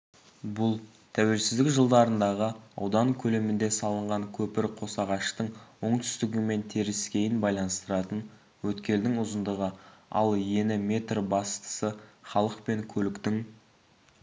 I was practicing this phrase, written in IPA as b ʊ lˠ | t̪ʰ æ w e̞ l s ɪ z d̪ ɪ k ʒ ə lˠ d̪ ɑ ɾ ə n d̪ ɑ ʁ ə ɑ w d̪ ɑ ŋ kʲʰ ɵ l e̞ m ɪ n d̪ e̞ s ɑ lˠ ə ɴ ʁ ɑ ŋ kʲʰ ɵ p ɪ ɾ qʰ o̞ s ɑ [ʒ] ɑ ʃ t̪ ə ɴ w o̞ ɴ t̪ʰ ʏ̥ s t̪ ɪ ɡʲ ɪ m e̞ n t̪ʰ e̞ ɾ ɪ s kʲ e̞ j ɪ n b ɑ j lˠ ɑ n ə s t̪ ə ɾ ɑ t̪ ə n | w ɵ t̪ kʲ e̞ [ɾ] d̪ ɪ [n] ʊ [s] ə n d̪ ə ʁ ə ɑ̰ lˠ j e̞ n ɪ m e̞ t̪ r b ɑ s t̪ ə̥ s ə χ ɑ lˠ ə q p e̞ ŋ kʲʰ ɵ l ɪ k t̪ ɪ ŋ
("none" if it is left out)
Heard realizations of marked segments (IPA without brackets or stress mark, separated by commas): ʁ, l, ŋ, z